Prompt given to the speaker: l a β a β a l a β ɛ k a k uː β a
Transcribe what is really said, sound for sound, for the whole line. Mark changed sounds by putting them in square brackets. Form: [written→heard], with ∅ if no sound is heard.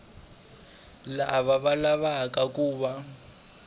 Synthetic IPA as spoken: l a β a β a l a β [ɛ→a] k a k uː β a